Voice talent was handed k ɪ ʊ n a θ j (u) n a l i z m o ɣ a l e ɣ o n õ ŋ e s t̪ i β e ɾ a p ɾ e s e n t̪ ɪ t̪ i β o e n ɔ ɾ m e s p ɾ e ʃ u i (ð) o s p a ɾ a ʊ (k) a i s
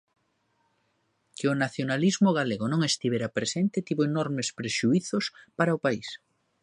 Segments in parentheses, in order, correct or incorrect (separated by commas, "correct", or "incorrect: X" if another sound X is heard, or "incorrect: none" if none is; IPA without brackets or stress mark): incorrect: o, incorrect: θ, incorrect: p